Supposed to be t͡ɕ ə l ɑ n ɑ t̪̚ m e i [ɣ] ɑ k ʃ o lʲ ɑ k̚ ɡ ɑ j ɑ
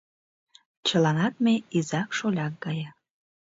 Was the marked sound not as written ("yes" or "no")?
yes